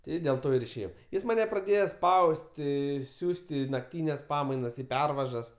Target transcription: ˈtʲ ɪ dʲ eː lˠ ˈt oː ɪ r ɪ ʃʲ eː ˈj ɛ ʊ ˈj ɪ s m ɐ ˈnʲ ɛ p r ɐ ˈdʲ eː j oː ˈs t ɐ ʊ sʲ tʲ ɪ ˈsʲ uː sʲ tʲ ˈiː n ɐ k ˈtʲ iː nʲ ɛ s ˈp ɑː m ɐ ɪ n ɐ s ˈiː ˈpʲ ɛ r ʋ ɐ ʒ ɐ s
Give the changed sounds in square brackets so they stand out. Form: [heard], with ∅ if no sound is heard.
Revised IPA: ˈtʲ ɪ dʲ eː lˠ ˈt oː ɪ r ɪ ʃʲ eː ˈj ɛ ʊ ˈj ɪ s m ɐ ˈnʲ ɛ p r ɐ ˈdʲ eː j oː ˈs [p] ɐ ʊ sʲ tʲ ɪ ˈsʲ uː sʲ tʲ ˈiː n ɐ k ˈtʲ iː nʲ ɛ s ˈp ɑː m ɐ ɪ n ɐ s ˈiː ˈpʲ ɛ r ʋ ɐ ʒ ɐ s